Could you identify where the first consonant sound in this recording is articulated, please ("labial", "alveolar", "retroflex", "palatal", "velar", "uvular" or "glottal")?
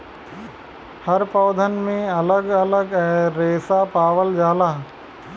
glottal